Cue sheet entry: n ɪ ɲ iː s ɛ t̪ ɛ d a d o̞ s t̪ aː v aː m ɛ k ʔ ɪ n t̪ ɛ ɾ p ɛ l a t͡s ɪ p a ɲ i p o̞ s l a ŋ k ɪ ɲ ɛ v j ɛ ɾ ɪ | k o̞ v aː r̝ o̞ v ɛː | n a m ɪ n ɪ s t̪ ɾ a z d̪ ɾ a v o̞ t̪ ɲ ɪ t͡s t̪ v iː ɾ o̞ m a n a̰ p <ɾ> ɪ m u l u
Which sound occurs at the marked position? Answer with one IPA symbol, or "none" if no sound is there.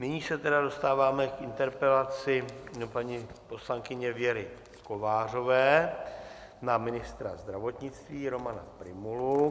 ɾ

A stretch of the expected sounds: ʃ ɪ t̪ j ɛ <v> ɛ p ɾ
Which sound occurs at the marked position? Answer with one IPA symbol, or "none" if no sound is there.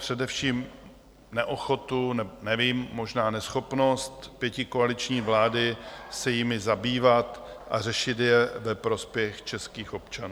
v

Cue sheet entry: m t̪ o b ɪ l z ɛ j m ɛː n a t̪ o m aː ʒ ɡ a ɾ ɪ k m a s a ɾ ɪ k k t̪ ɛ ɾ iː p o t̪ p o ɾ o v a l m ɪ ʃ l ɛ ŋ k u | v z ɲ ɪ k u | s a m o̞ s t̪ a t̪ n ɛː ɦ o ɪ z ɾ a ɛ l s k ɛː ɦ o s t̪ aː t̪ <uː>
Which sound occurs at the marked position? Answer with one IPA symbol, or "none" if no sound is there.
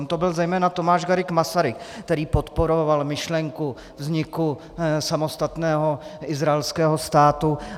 u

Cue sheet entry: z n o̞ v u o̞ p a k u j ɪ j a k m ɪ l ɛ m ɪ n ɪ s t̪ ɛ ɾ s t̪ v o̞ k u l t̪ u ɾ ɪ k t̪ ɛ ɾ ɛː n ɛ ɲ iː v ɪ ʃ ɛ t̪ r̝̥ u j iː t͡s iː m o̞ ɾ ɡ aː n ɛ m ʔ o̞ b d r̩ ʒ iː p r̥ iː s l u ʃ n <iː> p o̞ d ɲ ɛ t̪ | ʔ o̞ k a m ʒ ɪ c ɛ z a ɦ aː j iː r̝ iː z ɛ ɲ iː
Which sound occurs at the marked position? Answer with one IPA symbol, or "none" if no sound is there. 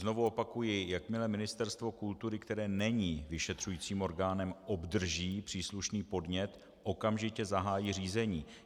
iː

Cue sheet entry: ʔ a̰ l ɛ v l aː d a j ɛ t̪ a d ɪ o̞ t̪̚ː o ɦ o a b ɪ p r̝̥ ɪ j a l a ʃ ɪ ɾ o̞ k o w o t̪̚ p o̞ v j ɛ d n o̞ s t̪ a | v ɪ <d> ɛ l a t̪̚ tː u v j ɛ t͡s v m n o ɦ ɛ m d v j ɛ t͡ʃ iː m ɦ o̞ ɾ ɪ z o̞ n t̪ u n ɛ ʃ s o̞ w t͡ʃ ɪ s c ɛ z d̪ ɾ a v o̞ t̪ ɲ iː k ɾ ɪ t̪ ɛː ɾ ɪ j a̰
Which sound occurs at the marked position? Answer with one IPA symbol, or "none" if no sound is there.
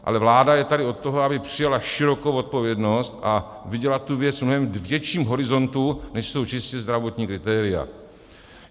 ɟ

